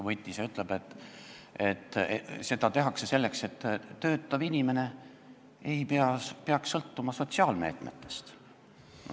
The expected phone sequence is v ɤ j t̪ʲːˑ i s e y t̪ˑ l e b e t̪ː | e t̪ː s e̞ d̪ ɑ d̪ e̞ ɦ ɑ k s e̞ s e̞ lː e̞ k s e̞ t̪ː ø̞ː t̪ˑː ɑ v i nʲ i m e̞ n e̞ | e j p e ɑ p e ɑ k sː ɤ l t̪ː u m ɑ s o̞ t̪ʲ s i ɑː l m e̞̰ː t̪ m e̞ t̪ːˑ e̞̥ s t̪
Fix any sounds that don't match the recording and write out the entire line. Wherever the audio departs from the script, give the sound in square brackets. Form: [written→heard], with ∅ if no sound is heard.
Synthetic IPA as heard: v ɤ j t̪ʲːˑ i s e y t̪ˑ l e b e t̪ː | e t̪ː s e̞ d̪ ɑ [d̪→t̪] e̞ ɦ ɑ k s e̞ s e̞ lː e̞ k s e̞ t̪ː ø̞ː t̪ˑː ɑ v i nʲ i m e̞ n e̞ | e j p e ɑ p e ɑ k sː ɤ l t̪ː u m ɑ s o̞ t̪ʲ s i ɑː l m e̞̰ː t̪ m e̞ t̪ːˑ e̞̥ s t̪